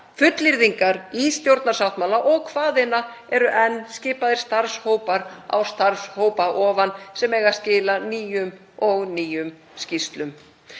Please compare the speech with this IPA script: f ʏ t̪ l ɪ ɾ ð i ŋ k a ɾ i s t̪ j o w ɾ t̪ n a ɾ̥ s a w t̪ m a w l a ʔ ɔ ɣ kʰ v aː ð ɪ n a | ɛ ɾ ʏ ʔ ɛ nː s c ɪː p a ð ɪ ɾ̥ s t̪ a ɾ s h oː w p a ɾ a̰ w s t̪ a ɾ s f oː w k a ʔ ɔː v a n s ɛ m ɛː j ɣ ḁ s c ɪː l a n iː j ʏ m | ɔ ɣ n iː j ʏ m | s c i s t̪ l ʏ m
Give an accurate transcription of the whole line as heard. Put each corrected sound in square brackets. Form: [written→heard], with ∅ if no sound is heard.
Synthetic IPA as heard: f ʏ t̪ l ɪ ɾ ð i ŋ k a ɾ i s t̪ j o w ɾ t̪ n a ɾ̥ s a w t̪ m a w l a ʔ ɔ ɣ kʰ v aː ð ɪ n a | ɛ ɾ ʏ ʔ ɛ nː s c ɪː p a ð ɪ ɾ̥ s t̪ a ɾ s h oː w p a ɾ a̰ w s t̪ a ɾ s [f→h] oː w [k→p] a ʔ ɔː v a n s ɛ m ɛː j ɣ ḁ s c ɪː l a n iː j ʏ m | ɔ ɣ n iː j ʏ m | s c i s t̪ l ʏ m